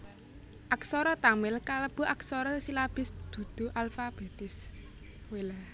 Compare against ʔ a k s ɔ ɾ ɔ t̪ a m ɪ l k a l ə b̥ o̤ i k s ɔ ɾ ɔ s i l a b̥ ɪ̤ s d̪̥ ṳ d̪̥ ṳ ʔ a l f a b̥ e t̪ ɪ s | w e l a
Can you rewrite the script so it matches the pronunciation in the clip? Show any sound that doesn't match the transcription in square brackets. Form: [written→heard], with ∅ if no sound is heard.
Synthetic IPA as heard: ʔ a k s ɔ ɾ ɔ t̪ a m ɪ l k a l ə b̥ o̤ [i→a] k s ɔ ɾ ɔ s i l a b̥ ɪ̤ s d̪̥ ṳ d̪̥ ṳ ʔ a l f a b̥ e t̪ ɪ s | w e l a

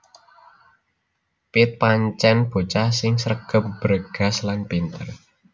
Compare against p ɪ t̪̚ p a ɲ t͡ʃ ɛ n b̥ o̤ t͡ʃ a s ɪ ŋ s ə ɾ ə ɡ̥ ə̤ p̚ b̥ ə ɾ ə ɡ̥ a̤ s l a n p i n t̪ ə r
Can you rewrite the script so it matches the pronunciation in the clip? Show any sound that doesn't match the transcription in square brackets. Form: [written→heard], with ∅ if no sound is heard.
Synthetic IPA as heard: p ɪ t̪̚ p a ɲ t͡ʃ ɛ n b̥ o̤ t͡ʃ a s ɪ ŋ s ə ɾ ə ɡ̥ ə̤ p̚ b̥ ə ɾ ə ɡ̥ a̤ s l a n p i n t̪ ə r

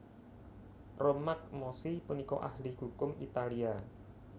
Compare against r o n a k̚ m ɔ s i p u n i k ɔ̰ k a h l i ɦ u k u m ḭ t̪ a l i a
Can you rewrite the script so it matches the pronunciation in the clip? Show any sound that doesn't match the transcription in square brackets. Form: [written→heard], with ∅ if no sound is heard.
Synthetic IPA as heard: r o [n→m] a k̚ m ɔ s i p u n i k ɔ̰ [k→ʔ] a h l i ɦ u k [u→ʊ] m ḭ t̪ a l i a

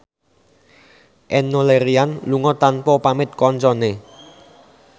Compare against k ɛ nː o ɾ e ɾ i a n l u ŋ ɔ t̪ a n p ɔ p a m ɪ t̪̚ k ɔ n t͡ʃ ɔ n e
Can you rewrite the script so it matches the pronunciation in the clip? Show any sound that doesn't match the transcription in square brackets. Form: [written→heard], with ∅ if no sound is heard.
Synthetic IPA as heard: [k→ʔ] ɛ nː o [ɾ→l] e ɾ i a n l u ŋ ɔ t̪ a n p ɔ p a m ɪ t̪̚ k ɔ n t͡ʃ ɔ n e

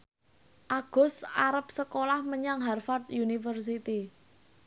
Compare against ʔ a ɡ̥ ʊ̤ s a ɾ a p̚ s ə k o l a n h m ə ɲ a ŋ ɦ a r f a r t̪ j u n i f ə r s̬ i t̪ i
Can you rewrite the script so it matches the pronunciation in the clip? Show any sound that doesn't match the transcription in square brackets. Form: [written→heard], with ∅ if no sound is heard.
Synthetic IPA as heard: ʔ a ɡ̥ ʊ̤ s a ɾ [a→ə] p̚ s ə k o l a [n→∅] h m ə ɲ a ŋ ɦ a r f a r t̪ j u n i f ə r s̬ i t̪ i

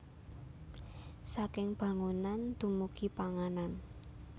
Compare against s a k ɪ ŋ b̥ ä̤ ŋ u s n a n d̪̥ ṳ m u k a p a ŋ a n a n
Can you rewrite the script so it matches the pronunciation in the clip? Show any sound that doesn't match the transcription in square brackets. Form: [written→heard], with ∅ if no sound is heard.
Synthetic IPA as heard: s a k ɪ ŋ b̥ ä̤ ŋ u [s→∅] n a n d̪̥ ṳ m u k [a→i] p a ŋ a n a n

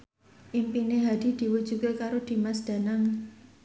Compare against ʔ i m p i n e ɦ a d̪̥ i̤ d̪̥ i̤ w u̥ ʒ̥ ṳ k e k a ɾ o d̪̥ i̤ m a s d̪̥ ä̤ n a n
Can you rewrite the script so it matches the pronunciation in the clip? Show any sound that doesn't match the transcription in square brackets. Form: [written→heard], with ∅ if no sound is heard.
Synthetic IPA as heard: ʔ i m p i n e ɦ a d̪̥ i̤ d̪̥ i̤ w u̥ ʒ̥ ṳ k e k a ɾ o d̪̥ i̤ m a s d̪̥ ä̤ n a [n→ŋ]

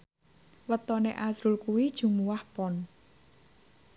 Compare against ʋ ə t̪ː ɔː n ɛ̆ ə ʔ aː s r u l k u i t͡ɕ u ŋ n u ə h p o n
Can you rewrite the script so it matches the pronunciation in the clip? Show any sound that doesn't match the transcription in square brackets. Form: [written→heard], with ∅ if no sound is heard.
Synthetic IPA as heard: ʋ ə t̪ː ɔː n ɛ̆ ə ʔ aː s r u l k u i t͡ɕ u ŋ [n→m] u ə h p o n

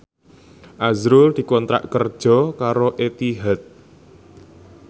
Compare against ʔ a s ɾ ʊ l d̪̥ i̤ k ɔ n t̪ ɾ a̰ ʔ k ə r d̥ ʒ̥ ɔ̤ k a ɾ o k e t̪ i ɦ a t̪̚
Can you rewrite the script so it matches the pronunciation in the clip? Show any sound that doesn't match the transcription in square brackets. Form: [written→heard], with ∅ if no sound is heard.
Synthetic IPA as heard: ʔ a [s→z] ɾ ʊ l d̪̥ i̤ k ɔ n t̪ ɾ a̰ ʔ k ə r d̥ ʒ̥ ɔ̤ k a ɾ o [k→ʔ] e t̪ i ɦ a t̪̚

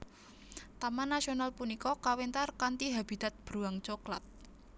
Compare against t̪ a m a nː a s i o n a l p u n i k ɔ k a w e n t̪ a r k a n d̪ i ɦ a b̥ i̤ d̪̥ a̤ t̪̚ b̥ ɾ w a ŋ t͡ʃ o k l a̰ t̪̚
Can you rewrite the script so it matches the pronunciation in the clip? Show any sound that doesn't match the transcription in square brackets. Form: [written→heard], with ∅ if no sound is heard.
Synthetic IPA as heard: t̪ a m a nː a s i o n a l p u n i k ɔ k a w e n t̪ a r k a n [d̪→t̪] i ɦ a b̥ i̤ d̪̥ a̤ t̪̚ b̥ ɾ [w→u] a ŋ t͡ʃ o k l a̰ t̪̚

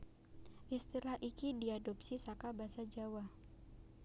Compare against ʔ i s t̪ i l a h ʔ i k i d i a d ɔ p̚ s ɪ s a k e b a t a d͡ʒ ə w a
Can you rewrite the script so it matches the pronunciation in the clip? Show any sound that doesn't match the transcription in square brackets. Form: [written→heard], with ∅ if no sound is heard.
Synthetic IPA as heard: ʔ i s t̪ i l a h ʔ i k i d i a d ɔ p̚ s [ɪ→i] s a k [e→a] b a [t→s] a d͡ʒ [ə→a] w a

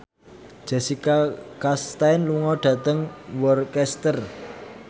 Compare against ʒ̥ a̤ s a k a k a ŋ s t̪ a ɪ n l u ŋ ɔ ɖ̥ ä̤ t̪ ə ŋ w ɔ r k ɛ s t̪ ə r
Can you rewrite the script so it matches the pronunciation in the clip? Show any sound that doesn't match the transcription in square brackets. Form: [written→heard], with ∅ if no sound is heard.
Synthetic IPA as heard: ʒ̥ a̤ s [a→i] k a k a [ŋ→∅] s t̪ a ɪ n l u ŋ ɔ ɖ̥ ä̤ t̪ ə ŋ w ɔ r k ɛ s t̪ ə r

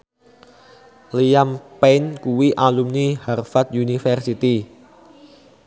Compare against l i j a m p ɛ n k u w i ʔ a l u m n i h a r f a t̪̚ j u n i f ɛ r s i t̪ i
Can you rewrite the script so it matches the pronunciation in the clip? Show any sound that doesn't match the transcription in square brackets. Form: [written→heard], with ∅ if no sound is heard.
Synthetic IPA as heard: l i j a m p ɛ n k u w i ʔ a l u m n i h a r f a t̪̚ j u n i f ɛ r s i t̪ i

